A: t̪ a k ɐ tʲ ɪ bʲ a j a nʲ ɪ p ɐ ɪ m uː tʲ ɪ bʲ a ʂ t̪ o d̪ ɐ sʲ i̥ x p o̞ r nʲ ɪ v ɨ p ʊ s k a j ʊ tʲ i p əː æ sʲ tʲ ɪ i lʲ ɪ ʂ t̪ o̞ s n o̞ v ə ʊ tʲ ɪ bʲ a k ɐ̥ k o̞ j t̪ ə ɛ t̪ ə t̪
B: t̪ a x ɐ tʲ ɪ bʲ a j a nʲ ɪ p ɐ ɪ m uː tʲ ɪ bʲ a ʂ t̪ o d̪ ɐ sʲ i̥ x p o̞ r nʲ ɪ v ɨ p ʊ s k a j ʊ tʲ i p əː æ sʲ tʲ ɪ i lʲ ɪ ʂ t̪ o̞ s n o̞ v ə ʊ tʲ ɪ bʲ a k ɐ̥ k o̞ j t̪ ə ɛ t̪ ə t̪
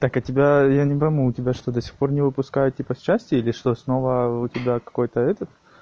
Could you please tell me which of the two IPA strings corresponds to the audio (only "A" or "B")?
A